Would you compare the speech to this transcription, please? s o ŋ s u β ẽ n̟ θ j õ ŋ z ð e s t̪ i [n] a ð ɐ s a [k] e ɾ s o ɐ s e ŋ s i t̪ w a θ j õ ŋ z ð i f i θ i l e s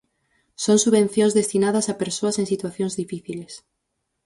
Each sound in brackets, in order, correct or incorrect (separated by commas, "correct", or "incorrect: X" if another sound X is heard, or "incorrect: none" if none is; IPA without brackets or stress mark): correct, incorrect: p